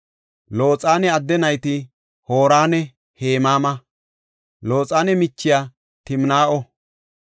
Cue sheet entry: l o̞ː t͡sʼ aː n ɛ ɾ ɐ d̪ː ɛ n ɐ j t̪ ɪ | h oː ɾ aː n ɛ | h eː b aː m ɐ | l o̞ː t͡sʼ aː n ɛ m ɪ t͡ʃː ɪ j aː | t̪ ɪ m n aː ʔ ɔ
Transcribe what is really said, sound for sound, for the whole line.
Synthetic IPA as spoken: l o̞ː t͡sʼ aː n ɛ ɐ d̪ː ɛ n ɐ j t̪ ɪ | h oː ɾ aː n ɛ | h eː m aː m ɐ | l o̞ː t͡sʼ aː n ɛ m ɪ t͡ʃː ɪ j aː | t̪ ɪ m n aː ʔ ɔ